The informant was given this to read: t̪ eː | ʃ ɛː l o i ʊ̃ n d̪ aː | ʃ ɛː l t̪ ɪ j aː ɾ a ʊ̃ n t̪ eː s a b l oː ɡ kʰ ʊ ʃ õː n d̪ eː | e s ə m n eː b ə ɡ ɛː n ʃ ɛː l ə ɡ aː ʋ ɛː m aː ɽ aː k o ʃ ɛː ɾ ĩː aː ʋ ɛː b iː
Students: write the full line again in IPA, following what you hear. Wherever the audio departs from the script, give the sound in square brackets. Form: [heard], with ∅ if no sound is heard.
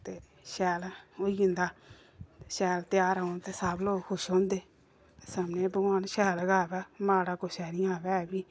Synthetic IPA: t̪ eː | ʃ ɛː l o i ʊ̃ n d̪ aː | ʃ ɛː l t̪ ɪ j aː ɾ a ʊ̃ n t̪ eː s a b l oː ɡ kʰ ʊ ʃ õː n d̪ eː | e s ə m n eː b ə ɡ [aː] n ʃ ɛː l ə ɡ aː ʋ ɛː m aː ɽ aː k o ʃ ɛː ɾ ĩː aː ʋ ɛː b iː